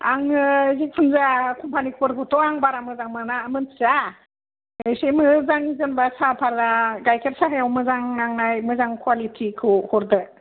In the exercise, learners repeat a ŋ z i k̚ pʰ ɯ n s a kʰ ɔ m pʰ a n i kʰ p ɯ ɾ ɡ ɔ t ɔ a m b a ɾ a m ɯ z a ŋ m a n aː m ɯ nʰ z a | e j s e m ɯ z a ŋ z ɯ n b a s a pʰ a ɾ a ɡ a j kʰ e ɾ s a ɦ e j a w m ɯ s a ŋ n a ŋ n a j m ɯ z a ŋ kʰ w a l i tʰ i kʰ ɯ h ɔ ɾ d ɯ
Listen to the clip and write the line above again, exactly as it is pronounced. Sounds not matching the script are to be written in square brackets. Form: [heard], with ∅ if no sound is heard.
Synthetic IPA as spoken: a ŋ z i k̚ pʰ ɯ n [z] a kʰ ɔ m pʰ a n i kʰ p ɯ ɾ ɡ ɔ t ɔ a [ŋ] b a ɾ a m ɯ z a ŋ m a n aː m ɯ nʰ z a | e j s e m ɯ z a ŋ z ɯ n b a s a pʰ a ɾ a ɡ a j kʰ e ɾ s a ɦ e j a w m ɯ [z] a ŋ n a ŋ n a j m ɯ z a ŋ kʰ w a l i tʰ i kʰ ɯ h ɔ ɾ d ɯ